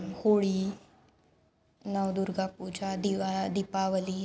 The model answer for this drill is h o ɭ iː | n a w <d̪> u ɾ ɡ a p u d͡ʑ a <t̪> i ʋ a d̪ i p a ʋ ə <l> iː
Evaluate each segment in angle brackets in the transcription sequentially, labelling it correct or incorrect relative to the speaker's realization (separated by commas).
correct, incorrect, correct